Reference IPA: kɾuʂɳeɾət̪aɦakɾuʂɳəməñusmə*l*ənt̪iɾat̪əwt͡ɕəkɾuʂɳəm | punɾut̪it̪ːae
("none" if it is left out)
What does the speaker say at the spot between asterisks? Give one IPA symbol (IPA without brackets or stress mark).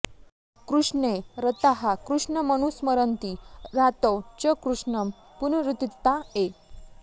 ɾ